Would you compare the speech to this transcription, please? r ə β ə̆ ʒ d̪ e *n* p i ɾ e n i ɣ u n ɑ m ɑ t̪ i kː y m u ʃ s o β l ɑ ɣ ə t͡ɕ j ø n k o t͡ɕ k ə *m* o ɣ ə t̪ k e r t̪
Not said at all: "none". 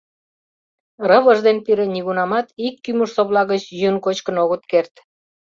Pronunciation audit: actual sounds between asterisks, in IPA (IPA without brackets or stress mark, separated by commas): n, n